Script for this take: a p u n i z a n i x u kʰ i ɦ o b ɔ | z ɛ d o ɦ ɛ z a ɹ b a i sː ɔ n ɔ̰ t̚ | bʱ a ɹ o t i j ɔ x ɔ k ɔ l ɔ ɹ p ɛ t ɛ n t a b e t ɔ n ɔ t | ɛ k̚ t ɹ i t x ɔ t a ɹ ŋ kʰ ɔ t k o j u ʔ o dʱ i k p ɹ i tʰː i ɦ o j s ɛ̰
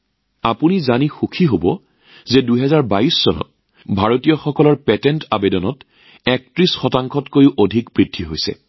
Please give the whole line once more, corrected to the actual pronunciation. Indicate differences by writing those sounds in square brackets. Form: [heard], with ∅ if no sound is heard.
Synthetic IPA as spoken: a p u n i z a n i x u kʰ i ɦ o b ɔ | z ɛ d [u] ɦ ɛ z a ɹ b a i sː ɔ n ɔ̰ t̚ | bʱ a ɹ o t i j ɔ x ɔ k ɔ l ɔ ɹ p ɛ t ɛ n t a b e [d] ɔ n ɔ t | ɛ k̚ t ɹ i [s] x ɔ t a [∅] ŋ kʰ ɔ t k o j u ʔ o dʱ i k p ɹ i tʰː i ɦ o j s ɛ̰

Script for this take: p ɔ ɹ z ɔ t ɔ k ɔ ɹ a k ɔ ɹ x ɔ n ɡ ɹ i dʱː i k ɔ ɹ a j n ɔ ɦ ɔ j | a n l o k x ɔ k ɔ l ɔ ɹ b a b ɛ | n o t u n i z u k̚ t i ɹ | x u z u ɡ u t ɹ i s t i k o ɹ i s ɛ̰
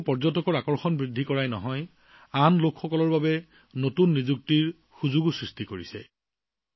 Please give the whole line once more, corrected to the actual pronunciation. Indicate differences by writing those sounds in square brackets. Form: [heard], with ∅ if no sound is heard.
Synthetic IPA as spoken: p ɔ ɹ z ɔ t ɔ k ɔ ɹ a k ɔ ɹ x ɔ n [b] ɹ i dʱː i k ɔ ɹ a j n ɔ ɦ ɔ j | a n l o k x ɔ k ɔ l ɔ ɹ b a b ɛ | n o t u [nː] i z u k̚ t i ɹ | x u z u ɡ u [s] ɹ i s t i k o ɹ i s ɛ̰

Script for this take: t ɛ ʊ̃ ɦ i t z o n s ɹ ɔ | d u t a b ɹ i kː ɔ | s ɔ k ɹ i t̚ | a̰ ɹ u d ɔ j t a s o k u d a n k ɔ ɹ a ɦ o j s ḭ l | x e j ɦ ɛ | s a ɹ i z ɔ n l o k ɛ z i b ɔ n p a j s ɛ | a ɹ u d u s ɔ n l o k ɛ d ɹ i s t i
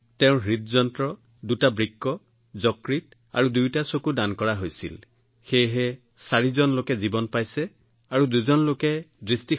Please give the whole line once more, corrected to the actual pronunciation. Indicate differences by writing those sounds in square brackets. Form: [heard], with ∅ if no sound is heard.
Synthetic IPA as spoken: t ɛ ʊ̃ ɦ i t z [ɔ] n [t] ɹ ɔ | d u t a b ɹ i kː ɔ | [z] ɔ k ɹ i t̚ | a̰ ɹ u d [u] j t a s o k u d a n k ɔ ɹ a ɦ o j s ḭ l | x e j ɦ ɛ | s a ɹ i z ɔ n l o k ɛ z i b ɔ n p a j s ɛ | a ɹ u d u [z] ɔ n l o k ɛ d ɹ i s t i

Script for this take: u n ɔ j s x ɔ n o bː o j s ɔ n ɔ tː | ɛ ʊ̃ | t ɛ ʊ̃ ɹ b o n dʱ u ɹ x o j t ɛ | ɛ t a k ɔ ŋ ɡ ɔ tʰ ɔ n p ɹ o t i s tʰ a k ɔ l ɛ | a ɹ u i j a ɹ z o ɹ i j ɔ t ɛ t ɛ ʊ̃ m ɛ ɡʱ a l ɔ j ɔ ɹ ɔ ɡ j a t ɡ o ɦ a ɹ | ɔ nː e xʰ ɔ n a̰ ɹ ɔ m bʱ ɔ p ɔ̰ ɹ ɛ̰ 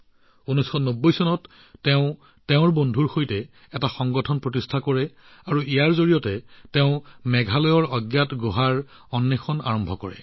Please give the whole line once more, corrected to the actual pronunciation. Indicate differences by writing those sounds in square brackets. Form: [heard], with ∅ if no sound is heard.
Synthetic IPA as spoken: u n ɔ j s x ɔ n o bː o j s ɔ n ɔ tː | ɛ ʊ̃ | t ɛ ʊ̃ ɹ b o n dʱ u ɹ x o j t ɛ | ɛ t a [x] ɔ ŋ ɡ ɔ tʰ ɔ n p ɹ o t i s tʰ a k ɔ [ɹ] ɛ | a ɹ u i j a ɹ z o ɹ i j ɔ t ɛ t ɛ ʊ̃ m ɛ ɡʱ a l ɔ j ɔ ɹ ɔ ɡ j a t ɡ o ɦ a ɹ | ɔ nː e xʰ ɔ n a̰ ɹ ɔ m bʱ ɔ [k] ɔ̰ ɹ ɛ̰

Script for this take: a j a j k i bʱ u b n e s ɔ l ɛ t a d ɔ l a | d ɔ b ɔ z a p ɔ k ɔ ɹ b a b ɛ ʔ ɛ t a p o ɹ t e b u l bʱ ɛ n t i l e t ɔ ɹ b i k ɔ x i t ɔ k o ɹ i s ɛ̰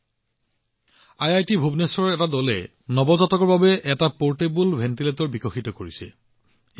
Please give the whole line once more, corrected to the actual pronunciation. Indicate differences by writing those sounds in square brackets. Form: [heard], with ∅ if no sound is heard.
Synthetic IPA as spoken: a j a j [t] i bʱ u b n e s ɔ [ɹ] ɛ t a d ɔ l [ɛ] | [n] ɔ b ɔ z a [t] ɔ k ɔ ɹ b a b ɛ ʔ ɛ t a p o ɹ t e b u l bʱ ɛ n t i l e t ɔ ɹ b i k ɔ x i t ɔ k o ɹ i s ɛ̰

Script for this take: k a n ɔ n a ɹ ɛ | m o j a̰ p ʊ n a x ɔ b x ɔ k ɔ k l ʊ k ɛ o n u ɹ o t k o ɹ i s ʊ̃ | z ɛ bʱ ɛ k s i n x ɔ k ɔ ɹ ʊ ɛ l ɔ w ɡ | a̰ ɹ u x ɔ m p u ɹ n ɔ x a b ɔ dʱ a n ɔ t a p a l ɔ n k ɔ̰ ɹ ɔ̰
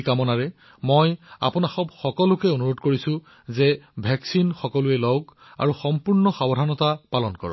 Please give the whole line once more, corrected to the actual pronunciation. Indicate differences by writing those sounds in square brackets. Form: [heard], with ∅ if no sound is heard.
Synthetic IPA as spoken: k a [m] ɔ n a ɹ ɛ | m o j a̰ p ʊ n a x ɔ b x ɔ k ɔ [∅] l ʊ k ɛ o n u ɹ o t k o ɹ i s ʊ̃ | z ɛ bʱ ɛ k s i n x ɔ k ɔ [l] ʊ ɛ l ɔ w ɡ | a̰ ɹ u x ɔ m p u ɹ n ɔ x a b ɔ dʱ a n ɔ t a p a l ɔ n k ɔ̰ ɹ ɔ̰

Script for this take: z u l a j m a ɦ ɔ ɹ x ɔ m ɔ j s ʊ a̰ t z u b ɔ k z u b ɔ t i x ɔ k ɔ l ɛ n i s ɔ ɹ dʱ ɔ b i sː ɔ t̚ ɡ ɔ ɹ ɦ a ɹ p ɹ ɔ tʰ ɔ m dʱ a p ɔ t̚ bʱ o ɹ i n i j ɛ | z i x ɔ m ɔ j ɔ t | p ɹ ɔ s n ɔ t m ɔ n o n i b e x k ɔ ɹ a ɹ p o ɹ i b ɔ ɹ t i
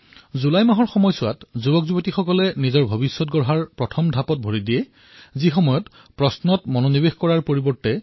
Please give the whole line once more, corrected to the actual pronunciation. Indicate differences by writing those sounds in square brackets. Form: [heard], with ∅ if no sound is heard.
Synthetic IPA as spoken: z u l a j m a ɦ ɔ ɹ x ɔ m ɔ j s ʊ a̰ t z u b ɔ k z u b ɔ t i x ɔ k ɔ l ɛ n i [z] ɔ ɹ [bʱ] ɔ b i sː ɔ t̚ ɡ ɔ ɹ ɦ a ɹ p ɹ ɔ tʰ ɔ m dʱ a p ɔ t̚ bʱ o ɹ i [d] i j ɛ | z i x ɔ m ɔ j ɔ t | p ɹ ɔ s n ɔ t m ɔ n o n i b e x k ɔ ɹ a ɹ p o ɹ i b ɔ ɹ t [ɛ]

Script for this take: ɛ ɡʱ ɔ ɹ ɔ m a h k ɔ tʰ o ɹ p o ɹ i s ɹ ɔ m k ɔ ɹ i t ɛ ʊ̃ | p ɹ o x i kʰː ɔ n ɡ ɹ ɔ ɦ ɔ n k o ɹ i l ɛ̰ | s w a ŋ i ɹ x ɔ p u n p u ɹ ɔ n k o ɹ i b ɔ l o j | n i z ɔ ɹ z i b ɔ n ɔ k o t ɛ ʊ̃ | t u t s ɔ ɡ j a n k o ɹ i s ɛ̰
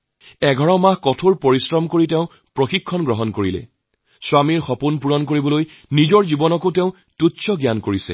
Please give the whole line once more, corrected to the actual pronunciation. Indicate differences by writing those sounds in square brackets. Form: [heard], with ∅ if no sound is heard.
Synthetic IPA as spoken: ɛ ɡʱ ɔ ɹ ɔ m a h k ɔ tʰ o ɹ p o ɹ i s ɹ ɔ m k [o] ɹ i t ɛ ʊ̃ | p ɹ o x i kʰː ɔ n ɡ ɹ ɔ ɦ ɔ n k o ɹ i l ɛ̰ | s w a [m] i ɹ x ɔ p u n p u ɹ ɔ n k o ɹ i b ɔ l o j | n i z ɔ ɹ z i b ɔ n ɔ k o t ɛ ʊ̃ | t u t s ɔ ɡ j a n k o ɹ i s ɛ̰

